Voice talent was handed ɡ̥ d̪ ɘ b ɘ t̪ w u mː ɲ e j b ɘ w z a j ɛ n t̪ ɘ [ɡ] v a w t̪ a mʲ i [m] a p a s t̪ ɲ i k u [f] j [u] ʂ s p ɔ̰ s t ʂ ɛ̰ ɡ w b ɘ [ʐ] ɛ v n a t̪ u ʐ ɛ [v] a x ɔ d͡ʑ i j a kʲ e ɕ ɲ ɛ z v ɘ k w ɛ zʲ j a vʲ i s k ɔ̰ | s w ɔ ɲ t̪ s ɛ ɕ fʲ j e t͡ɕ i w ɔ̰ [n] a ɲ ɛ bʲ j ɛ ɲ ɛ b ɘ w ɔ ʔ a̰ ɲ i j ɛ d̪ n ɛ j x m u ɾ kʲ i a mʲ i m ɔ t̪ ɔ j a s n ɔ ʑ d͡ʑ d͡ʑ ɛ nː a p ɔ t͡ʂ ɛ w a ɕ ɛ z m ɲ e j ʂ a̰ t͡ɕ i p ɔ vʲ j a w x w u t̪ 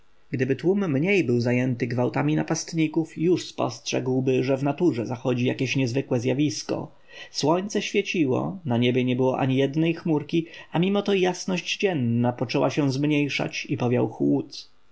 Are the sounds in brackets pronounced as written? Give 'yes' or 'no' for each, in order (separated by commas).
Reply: yes, no, yes, yes, yes, no, yes